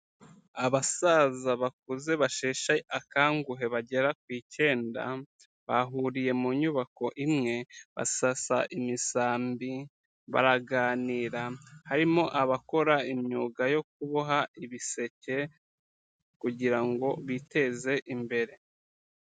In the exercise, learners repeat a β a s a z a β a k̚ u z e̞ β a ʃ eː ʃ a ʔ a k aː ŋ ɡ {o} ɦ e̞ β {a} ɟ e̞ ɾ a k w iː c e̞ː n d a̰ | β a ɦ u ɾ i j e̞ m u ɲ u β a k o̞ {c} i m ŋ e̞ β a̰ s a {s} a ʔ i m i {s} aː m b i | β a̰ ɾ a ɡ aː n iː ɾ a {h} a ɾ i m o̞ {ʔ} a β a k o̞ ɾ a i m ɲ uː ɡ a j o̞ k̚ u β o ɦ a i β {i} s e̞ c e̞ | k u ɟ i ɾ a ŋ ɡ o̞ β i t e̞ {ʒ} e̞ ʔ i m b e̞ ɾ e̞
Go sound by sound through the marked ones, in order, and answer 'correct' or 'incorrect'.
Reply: incorrect: u, correct, incorrect: ʔ, correct, correct, correct, correct, correct, incorrect: z

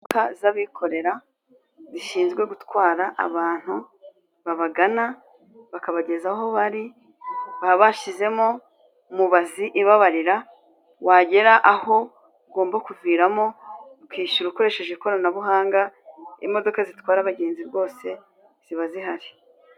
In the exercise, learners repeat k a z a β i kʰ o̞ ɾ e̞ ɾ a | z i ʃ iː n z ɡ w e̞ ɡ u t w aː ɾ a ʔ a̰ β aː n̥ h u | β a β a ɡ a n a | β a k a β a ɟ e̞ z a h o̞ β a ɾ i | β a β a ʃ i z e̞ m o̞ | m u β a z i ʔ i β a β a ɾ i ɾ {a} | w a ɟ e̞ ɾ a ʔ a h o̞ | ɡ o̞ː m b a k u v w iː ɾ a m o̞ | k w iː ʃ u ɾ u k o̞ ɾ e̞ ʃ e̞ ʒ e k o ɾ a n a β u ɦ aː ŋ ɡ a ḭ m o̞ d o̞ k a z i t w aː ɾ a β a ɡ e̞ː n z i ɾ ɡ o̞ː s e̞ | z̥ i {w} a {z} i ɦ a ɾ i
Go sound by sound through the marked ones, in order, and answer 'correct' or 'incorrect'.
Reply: correct, incorrect: β, correct

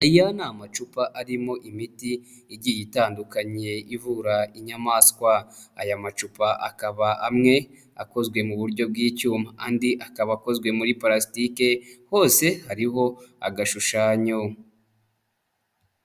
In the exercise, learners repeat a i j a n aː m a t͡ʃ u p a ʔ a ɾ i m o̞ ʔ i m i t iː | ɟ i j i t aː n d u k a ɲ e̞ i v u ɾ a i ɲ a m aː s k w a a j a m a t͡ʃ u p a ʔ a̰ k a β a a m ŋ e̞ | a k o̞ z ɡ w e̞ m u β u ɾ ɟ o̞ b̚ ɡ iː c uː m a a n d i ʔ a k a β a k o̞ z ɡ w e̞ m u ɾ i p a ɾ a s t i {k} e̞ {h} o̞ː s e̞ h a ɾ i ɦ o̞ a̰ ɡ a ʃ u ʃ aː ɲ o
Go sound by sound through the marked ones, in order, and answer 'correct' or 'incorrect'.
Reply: correct, correct

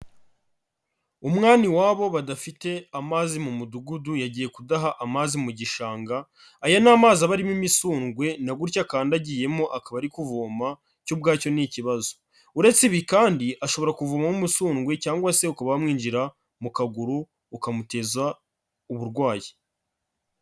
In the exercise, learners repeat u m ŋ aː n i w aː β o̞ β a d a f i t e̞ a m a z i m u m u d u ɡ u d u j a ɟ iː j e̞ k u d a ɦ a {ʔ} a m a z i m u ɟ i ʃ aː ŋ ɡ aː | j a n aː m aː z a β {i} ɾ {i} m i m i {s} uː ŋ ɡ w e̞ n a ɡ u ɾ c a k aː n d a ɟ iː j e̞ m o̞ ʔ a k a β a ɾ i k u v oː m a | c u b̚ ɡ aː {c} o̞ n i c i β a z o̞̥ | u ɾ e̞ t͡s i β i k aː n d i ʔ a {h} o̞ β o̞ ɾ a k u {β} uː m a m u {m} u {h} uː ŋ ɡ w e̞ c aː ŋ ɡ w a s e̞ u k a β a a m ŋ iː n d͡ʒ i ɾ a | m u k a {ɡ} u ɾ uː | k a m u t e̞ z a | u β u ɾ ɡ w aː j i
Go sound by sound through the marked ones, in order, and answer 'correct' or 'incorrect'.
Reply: correct, incorrect: a, correct, correct, correct, incorrect: ʃ, incorrect: v, correct, incorrect: s, correct

